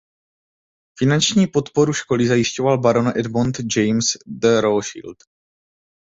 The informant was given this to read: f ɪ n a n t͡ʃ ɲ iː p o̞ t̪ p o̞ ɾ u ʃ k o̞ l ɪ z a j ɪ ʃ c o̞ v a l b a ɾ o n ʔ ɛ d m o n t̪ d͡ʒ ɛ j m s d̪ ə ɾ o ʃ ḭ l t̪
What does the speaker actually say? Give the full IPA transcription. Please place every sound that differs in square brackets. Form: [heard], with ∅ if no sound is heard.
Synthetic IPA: f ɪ n a n t͡ʃ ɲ iː p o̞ t̪ p o̞ ɾ u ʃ k o̞ l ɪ z a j ɪ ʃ c o̞ v a l b a ɾ o n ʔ ɛ d m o n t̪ d͡ʒ ɛ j m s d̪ ə ɾ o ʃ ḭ l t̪